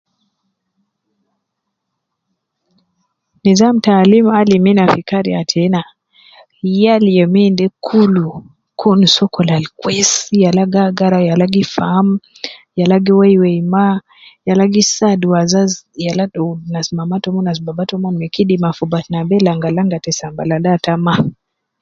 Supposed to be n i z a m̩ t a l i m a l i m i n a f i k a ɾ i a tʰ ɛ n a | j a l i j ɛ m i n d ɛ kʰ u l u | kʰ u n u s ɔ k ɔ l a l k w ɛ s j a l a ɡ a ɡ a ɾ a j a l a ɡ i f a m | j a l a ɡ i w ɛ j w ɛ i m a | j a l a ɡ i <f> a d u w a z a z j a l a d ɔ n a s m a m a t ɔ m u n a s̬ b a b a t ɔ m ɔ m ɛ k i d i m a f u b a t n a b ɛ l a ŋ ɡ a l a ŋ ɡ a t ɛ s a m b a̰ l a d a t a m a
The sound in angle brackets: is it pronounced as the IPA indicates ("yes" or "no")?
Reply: no